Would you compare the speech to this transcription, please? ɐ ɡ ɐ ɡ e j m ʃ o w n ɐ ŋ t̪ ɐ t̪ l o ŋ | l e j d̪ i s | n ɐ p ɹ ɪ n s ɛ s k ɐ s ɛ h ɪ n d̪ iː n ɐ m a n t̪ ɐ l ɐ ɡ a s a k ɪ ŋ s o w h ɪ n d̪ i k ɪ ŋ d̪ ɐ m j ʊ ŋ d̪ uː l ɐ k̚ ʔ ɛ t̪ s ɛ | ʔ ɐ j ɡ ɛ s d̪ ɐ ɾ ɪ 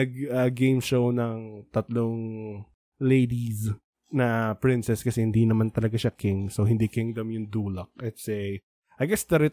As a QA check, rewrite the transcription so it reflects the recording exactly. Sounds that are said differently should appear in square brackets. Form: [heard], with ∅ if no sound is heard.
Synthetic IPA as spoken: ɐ ɡ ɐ ɡ e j m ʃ o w n ɐ ŋ t̪ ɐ t̪ l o ŋ | l e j d̪ i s | n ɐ p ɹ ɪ n s ɛ s k ɐ s ɛ h ɪ n d̪ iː n ɐ m a n t̪ ɐ l ɐ ɡ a [ʃ] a k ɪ ŋ s o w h ɪ n d̪ i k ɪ ŋ d̪ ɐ m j ʊ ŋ d̪ uː l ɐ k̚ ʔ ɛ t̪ s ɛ | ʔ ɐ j ɡ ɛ s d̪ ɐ ɾ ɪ